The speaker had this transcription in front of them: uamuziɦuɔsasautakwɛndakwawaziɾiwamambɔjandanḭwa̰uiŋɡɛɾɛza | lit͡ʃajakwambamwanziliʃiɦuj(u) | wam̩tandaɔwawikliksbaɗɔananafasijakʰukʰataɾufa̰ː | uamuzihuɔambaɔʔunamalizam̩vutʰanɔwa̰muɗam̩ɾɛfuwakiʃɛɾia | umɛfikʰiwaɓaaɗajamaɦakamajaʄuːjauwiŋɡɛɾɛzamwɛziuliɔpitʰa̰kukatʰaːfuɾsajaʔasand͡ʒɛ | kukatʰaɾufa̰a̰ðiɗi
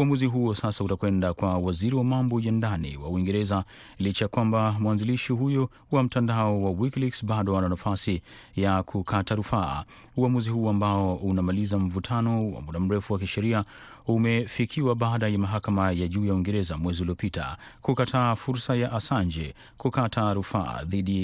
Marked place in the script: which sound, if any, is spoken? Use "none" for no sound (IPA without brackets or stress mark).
ɔ